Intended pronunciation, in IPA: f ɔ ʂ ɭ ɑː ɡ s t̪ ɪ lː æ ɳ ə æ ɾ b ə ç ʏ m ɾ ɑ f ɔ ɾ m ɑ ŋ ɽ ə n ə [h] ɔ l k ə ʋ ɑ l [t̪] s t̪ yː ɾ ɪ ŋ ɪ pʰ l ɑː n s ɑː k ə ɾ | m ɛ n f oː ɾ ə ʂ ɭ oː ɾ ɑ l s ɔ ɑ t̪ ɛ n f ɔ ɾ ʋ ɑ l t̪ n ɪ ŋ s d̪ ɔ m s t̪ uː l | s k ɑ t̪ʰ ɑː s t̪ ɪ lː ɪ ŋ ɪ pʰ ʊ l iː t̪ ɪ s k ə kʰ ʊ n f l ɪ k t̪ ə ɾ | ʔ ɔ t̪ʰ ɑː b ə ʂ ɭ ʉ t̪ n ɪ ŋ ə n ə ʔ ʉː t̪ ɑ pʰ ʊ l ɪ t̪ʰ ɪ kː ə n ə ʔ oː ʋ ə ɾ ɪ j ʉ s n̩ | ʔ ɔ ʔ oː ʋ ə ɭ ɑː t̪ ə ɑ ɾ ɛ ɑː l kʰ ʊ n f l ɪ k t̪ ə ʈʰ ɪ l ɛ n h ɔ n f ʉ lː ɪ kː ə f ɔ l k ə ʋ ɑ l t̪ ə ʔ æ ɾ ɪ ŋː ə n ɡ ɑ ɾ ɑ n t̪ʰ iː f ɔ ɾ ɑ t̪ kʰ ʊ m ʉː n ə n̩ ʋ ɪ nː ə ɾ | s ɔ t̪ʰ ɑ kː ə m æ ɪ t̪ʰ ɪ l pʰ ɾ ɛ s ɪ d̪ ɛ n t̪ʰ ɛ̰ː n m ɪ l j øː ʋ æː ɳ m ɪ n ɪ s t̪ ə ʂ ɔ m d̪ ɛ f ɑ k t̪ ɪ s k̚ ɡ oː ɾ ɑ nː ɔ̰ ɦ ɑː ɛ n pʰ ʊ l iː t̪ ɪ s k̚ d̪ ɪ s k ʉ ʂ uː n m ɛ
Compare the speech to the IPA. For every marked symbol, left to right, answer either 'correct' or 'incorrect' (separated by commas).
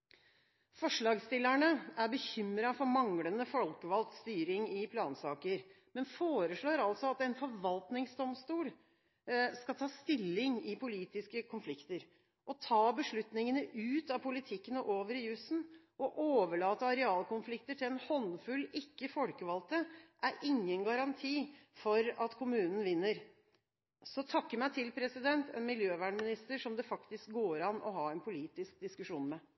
incorrect, correct